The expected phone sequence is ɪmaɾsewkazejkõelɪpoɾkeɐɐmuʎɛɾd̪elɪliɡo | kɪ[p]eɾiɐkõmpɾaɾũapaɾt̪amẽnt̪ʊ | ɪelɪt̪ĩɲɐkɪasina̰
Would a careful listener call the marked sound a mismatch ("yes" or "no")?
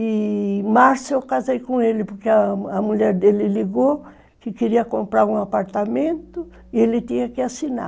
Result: yes